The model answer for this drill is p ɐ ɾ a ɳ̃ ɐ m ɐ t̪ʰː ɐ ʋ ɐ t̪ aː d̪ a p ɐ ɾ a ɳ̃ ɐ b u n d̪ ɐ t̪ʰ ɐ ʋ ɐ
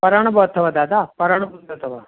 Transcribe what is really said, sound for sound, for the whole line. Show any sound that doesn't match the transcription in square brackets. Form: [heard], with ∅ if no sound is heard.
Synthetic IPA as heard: p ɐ ɾ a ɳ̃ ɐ [b] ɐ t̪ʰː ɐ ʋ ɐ [d̪] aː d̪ a p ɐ ɾ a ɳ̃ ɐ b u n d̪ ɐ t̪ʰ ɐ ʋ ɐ